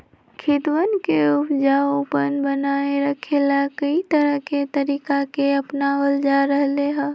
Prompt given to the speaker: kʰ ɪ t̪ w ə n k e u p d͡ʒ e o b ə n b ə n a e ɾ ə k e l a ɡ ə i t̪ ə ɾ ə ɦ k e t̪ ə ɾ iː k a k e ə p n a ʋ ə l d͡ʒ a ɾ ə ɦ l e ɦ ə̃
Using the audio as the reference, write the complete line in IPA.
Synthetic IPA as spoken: kʰ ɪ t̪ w ə n k e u p d͡ʒ a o p ə n b ə n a e ɾ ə kʰ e l a k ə i t̪ ə ɾ ə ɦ k e t̪ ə ɾ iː k a k e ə p n a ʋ ə l d͡ʒ a ɾ ə ɦ l e ɦ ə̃